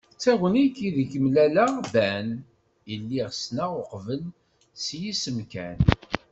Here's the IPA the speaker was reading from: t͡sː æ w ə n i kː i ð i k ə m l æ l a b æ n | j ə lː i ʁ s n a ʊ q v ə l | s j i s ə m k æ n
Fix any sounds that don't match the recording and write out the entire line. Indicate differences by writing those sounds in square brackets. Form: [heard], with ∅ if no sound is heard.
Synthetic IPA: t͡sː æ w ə n i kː i ð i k ə m l æ l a b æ n | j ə lː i ʁ s n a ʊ q v ə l | s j i s ə m k æ n